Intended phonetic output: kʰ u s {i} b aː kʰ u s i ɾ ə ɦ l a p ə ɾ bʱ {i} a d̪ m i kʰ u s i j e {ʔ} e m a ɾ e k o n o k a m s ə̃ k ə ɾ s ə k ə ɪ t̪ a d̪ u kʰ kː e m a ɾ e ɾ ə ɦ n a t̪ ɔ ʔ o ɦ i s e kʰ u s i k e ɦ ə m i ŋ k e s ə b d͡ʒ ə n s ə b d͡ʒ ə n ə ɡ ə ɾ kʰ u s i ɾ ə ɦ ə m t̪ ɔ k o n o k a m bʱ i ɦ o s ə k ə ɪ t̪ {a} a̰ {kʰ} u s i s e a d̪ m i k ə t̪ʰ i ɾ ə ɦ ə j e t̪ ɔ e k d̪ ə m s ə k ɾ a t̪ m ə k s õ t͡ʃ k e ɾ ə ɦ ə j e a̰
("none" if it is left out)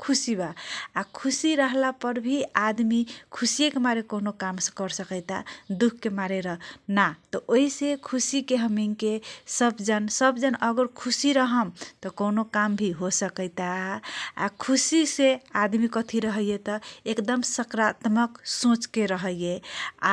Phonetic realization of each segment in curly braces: i, i, k, a, kʰ

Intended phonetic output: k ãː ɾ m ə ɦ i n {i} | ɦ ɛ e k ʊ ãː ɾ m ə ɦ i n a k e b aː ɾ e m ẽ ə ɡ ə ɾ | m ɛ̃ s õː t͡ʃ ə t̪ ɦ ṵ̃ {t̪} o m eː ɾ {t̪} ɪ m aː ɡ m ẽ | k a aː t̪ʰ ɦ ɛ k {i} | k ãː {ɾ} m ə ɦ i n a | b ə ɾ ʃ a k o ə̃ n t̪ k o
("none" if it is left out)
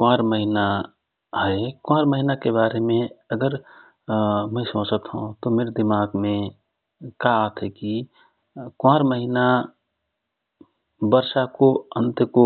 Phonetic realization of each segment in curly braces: a, t̪, d̪, i, ɾ

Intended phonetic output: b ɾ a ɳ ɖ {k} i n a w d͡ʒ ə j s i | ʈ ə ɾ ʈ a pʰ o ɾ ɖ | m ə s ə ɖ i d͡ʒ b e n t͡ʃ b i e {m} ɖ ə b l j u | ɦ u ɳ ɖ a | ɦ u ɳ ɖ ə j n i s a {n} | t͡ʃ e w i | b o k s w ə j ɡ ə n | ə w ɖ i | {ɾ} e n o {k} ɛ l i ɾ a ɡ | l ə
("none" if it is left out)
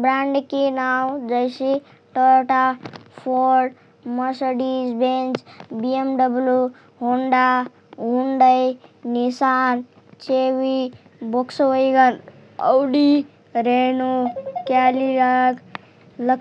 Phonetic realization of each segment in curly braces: k, m, n, ɾ, k

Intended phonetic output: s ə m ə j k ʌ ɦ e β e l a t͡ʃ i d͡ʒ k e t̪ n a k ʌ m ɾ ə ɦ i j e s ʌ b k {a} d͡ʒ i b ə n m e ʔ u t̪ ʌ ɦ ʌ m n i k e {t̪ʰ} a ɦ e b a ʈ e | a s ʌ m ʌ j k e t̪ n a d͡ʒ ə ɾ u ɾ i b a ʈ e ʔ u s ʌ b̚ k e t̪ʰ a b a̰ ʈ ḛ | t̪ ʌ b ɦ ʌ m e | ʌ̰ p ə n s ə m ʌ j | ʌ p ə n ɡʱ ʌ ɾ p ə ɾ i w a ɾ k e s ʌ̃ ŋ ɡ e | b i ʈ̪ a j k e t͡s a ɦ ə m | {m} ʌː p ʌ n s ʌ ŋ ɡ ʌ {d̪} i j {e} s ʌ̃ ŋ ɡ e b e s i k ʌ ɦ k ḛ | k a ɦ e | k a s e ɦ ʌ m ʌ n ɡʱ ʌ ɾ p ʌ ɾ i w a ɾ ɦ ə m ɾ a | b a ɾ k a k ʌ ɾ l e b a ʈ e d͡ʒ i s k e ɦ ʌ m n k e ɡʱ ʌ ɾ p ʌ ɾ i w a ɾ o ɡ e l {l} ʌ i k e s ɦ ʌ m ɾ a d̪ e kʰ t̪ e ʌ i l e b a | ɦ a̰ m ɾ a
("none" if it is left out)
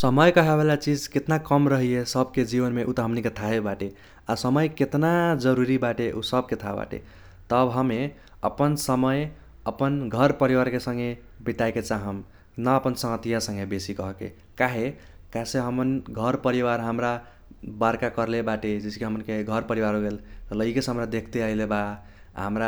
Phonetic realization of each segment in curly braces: e, t̪ʰ, n, t̪, a, l

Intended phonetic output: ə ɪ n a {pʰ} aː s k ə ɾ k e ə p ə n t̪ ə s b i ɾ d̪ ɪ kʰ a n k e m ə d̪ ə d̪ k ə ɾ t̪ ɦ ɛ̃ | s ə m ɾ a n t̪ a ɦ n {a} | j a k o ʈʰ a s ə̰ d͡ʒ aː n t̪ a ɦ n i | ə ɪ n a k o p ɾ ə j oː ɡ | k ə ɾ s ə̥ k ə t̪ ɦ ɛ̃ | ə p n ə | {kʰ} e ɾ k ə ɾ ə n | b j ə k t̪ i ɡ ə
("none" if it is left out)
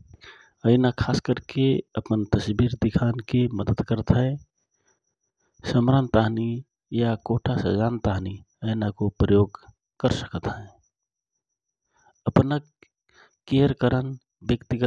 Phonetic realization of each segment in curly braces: kʰ, i, k

